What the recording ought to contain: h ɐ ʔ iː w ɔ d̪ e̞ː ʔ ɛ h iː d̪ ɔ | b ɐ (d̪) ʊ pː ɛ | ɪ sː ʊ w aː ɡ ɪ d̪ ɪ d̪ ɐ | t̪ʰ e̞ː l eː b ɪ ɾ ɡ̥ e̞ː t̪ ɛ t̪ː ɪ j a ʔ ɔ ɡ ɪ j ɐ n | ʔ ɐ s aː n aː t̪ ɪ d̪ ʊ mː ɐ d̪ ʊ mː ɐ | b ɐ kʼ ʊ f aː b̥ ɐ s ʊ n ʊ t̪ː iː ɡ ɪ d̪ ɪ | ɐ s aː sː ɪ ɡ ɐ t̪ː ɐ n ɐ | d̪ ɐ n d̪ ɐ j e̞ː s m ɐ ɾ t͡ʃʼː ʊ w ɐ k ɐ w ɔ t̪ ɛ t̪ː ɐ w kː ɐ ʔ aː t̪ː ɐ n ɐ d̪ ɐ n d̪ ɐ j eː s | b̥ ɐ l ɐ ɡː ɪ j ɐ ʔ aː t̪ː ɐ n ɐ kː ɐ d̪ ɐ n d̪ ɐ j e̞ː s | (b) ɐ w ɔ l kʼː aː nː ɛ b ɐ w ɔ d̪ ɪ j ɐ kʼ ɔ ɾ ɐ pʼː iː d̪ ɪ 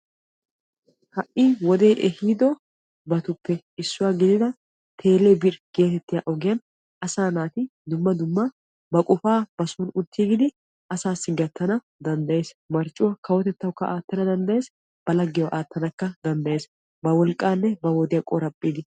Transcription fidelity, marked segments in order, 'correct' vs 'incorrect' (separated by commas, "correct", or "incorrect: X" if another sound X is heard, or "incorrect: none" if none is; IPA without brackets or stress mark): incorrect: t̪, correct